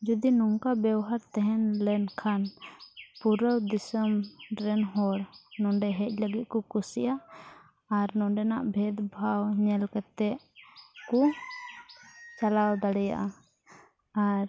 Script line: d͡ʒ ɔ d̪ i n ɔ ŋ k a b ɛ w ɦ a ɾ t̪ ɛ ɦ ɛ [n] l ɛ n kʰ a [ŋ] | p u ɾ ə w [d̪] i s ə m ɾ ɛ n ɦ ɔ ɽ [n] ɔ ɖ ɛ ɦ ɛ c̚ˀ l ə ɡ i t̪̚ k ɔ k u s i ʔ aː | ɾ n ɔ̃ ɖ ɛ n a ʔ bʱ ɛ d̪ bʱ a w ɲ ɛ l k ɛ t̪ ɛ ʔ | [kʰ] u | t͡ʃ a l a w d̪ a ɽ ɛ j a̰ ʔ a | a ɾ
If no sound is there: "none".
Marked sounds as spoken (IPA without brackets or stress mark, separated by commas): n, n, d̪, n, k